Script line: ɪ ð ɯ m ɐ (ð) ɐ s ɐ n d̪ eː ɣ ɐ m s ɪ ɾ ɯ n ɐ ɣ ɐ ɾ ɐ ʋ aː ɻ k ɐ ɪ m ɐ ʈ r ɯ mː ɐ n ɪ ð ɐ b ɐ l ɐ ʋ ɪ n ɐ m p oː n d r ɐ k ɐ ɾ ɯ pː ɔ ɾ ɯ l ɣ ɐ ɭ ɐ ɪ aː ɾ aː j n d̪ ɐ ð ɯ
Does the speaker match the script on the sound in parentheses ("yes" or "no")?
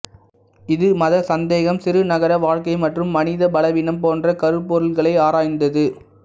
yes